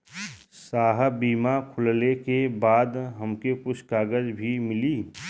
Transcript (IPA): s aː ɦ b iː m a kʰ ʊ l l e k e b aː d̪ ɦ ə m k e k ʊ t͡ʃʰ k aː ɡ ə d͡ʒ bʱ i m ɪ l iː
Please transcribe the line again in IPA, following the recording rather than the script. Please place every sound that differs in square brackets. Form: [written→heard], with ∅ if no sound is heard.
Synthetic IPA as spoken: s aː ɦ b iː m a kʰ ʊ l l e k e b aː d̪ ɦ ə m k e k ʊ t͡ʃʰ k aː ɡ ə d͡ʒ bʱ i m ɪ l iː